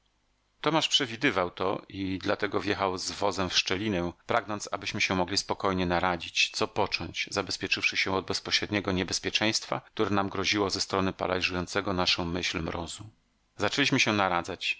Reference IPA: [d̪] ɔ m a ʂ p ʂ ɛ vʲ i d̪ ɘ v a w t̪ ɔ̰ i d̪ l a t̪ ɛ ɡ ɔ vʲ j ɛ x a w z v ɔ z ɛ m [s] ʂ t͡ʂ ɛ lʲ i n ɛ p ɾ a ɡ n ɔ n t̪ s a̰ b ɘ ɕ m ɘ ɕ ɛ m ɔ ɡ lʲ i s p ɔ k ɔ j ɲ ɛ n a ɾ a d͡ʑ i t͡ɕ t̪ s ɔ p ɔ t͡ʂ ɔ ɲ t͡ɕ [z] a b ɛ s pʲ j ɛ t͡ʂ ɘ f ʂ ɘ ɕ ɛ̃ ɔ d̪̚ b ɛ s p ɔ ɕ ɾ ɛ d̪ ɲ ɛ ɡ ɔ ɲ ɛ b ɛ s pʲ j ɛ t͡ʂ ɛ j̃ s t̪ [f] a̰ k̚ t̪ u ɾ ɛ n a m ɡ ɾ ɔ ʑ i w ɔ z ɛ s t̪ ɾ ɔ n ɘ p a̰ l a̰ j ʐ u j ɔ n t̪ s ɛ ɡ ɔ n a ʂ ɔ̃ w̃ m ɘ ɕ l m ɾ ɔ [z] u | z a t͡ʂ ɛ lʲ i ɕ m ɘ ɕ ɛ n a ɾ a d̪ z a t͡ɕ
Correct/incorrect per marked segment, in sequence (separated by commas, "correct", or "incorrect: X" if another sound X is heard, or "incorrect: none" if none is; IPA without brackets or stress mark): incorrect: t̪, incorrect: f, correct, correct, correct